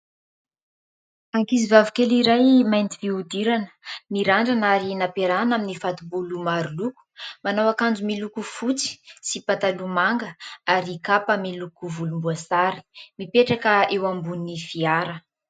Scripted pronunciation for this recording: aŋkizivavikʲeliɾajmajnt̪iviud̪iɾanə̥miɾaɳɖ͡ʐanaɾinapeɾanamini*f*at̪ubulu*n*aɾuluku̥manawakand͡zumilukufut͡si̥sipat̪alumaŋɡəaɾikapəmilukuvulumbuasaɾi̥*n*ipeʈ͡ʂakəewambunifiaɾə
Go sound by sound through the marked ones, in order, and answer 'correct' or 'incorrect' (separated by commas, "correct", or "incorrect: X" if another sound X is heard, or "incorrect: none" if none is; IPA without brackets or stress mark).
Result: correct, incorrect: m, incorrect: m